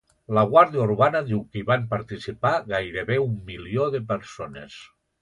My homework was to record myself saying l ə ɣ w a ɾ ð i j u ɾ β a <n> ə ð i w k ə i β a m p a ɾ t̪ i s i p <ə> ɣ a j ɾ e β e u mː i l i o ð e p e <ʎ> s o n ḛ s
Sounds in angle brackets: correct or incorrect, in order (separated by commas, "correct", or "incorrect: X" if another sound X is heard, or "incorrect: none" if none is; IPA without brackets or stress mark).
correct, incorrect: a, incorrect: ɾ